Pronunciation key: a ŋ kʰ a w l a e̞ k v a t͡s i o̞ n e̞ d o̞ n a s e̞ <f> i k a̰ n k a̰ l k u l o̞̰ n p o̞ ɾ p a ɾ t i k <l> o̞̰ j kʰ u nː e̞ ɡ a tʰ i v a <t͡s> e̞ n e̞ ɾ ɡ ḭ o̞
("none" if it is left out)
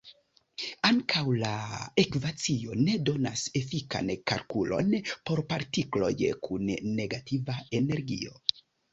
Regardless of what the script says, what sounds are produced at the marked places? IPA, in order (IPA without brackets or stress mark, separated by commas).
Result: f, l, none